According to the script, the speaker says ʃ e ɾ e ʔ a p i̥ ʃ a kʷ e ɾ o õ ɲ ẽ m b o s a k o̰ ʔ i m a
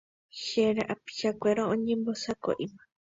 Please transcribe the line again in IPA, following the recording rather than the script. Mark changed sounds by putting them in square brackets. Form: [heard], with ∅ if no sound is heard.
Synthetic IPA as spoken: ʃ e ɾ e ʔ a p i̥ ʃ a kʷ e ɾ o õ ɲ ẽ m b o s a k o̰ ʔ i m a